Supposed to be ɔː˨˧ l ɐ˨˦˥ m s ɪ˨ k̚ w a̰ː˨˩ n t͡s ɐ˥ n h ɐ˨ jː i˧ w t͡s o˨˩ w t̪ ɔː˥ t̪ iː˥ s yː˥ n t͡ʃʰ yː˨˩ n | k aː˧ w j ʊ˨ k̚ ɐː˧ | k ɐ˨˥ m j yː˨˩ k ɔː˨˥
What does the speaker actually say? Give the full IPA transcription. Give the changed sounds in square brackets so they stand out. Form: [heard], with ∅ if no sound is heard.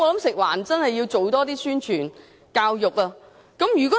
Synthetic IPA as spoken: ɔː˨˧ l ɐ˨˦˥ m s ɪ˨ k̚ w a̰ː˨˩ n t͡s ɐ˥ n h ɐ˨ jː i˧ w t͡s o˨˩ w t̪ ɔː˥ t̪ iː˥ s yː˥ n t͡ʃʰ yː˨˩ n | k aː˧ w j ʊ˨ k̚ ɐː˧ | k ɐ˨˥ m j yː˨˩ k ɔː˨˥